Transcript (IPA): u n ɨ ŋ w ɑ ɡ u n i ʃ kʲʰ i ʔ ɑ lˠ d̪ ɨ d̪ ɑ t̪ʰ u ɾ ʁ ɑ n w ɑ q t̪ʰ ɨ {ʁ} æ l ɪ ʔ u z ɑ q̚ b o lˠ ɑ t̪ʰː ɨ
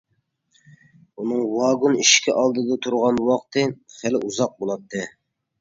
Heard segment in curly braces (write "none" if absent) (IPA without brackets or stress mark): χ